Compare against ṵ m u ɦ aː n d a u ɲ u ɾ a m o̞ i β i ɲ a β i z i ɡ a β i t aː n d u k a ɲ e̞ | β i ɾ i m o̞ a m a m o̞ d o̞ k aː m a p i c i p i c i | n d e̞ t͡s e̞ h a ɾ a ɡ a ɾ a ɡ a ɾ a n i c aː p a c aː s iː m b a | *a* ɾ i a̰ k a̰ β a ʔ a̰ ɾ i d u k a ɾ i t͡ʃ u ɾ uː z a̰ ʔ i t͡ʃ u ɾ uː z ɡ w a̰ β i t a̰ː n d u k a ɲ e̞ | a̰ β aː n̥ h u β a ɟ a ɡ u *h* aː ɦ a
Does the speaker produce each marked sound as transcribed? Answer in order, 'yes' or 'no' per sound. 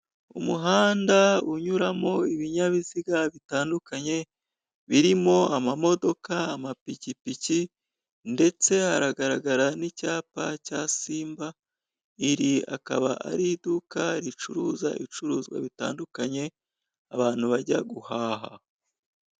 no, yes

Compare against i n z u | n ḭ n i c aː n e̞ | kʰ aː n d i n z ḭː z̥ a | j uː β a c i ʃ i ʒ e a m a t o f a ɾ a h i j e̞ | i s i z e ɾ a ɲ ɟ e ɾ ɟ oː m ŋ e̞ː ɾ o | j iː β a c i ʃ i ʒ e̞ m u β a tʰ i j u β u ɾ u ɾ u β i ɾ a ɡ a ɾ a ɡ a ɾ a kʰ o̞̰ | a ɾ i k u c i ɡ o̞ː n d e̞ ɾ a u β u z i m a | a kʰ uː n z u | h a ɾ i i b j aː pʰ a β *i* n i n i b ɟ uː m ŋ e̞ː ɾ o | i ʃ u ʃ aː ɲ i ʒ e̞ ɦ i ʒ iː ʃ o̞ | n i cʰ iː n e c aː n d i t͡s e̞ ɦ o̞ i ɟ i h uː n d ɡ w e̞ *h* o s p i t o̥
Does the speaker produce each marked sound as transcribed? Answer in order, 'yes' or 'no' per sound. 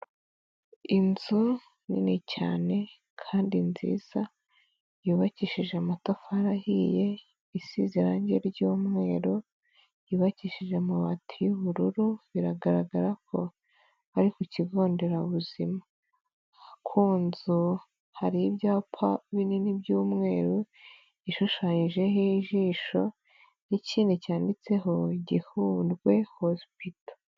yes, yes

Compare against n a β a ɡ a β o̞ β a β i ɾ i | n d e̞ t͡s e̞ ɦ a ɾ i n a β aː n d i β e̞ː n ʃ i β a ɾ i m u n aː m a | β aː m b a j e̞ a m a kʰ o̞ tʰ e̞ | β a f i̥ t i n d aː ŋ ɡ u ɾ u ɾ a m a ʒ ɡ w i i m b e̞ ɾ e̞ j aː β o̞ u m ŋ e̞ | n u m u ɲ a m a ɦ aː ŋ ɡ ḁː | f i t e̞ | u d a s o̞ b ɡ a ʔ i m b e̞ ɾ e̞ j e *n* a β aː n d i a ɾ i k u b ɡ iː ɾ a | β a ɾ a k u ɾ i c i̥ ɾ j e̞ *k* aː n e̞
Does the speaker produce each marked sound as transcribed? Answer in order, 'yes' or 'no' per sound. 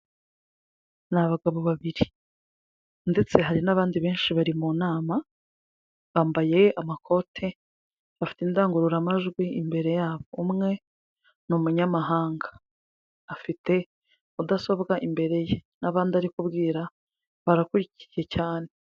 yes, no

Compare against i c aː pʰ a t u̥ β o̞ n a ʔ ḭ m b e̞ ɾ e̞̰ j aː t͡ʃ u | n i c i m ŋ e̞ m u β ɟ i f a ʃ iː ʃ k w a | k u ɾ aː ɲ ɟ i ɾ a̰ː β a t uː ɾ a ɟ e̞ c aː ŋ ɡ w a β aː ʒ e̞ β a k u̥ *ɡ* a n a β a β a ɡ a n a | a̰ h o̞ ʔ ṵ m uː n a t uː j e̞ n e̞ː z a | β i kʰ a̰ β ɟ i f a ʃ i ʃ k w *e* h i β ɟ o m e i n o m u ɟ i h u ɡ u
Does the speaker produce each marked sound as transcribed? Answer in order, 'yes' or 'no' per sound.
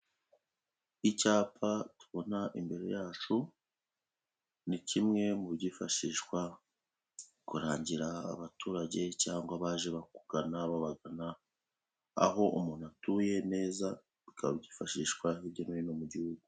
yes, no

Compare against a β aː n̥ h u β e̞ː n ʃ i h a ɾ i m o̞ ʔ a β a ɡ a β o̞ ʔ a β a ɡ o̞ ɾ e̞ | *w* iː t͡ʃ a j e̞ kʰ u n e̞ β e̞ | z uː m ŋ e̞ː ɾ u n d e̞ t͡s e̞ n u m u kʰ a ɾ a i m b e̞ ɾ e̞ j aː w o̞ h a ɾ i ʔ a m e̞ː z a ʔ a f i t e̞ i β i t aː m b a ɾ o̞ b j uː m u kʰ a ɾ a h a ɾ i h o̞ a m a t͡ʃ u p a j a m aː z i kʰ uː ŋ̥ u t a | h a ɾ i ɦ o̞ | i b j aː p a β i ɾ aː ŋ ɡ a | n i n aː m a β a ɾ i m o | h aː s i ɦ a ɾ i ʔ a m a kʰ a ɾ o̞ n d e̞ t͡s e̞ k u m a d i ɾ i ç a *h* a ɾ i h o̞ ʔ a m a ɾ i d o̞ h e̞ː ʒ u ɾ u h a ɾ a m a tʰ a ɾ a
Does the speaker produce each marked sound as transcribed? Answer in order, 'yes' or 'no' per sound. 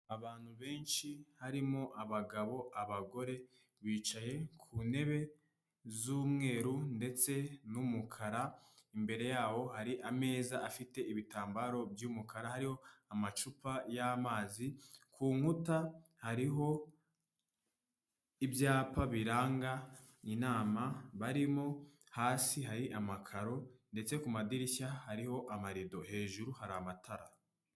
no, yes

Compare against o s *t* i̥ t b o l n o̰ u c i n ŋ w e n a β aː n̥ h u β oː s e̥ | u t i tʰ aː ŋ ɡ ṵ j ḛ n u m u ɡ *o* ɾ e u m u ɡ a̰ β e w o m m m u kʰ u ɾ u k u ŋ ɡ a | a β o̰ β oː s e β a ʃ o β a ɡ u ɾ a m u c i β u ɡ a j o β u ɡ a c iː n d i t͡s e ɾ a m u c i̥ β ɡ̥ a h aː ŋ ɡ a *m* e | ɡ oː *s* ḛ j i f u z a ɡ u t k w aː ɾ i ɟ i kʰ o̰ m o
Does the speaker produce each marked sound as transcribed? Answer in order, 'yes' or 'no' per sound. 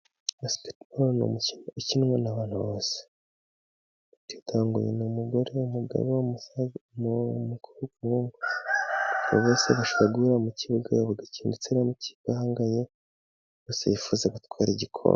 no, yes, no, yes

